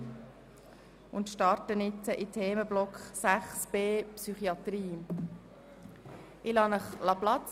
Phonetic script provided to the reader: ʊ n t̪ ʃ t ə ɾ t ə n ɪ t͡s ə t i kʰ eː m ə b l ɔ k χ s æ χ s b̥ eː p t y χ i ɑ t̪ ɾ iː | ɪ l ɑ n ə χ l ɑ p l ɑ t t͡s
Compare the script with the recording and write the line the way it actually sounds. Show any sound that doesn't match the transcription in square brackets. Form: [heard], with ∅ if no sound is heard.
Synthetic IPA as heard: ʊ n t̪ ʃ t [ɑ] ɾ t ə n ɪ t͡s ə [ʔ] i [tʰ] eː m ə b l ɔ k χ s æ χ s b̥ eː p [s] y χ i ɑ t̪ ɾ iː | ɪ l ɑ n ə χ l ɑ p l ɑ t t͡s

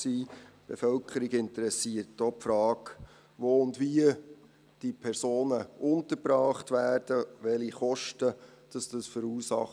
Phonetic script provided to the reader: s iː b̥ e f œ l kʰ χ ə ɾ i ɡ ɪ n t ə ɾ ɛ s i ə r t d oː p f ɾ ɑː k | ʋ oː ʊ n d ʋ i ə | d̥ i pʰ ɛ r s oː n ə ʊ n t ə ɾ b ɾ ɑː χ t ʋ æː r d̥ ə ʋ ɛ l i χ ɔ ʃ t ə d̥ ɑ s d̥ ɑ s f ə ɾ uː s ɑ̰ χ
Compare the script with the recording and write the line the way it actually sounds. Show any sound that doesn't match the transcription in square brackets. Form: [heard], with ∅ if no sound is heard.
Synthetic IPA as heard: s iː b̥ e f œ l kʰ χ ə ɾ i ɡ ɪ n t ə ɾ ɛ s i ə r t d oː p f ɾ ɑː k | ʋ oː ʊ n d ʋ i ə | d̥ i pʰ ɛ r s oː n ə ʊ n t ə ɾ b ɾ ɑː χ t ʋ æː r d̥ ə ʋ ɛ l i χ ɔ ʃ t ə d̥ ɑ s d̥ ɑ s f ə ɾ uː s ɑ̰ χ

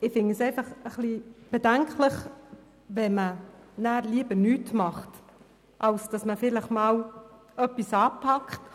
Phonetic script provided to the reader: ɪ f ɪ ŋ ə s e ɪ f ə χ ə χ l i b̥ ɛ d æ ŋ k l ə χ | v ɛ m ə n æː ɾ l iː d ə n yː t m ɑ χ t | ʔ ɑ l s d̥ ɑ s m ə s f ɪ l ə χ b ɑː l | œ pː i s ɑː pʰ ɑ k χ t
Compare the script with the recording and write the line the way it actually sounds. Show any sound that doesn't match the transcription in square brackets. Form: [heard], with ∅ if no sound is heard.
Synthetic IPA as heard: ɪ f ɪ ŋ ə s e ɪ f [ɑ] χ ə χ l i b̥ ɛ d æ ŋ k l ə χ | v ɛ m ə n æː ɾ l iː [b] ə n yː t m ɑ χ t | ʔ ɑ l s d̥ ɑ s m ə [∅] f ɪ l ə χ [m] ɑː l | œ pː i s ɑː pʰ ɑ k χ t

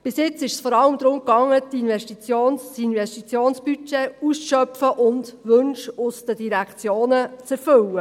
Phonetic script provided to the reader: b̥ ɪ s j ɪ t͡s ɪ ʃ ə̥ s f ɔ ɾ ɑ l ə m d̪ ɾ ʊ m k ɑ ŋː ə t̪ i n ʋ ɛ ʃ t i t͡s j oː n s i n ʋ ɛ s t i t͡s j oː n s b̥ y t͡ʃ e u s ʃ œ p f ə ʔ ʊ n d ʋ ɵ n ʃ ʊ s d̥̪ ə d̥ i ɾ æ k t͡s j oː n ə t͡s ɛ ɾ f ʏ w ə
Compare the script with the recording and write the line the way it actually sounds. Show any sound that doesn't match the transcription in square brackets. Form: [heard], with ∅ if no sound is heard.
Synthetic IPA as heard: b̥ ɪ s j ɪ t͡s ɪ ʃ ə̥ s f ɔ ɾ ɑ l ə m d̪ ɾ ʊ m k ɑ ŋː ə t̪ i n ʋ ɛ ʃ t i t͡s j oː n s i n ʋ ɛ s t i t͡s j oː n s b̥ y t͡ʃ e u s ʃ œ p f ə ʔ ʊ n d ʋ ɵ n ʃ ʊ s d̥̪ ə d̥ i ɾ æ k t͡s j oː n ə t͡s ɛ ɾ f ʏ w ə

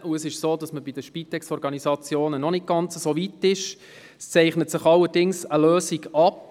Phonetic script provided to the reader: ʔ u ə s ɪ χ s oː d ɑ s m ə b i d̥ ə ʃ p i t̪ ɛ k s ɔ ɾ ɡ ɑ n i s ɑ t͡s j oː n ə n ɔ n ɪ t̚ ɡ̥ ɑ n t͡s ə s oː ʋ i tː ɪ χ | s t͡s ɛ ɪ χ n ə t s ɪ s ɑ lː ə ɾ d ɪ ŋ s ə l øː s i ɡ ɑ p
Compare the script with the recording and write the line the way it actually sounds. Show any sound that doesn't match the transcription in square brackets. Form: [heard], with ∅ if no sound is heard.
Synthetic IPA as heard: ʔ u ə s ɪ [ʃ] s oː d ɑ s m ə b i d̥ ə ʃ p i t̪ ɛ k s ɔ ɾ ɡ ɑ n i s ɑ t͡s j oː n ə n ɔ n ɪ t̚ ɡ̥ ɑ n t͡s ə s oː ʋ i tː ɪ [ʃ] | s t͡s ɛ ɪ χ n ə t s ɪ [χ] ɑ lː ə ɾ d ɪ ŋ s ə l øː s i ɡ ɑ p

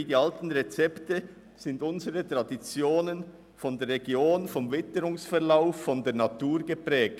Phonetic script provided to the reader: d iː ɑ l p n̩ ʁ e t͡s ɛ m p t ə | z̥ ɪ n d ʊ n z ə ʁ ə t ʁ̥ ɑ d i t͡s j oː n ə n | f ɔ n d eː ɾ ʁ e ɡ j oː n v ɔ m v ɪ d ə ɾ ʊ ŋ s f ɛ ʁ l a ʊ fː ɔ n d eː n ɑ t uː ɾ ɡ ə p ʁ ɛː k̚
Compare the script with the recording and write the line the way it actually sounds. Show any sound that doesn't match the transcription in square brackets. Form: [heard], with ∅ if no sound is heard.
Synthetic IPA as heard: d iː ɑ l [t] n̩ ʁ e t͡s ɛ [∅] p t ə | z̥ ɪ n d ʊ n z ə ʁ ə t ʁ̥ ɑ d i t͡s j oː n ə n | f ɔ n d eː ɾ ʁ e ɡ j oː n [f] ɔ m v ɪ [t] ə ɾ ʊ ŋ s f ɛ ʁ l a ʊ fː ɔ n d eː n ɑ t uː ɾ ɡ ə p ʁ ɛː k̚

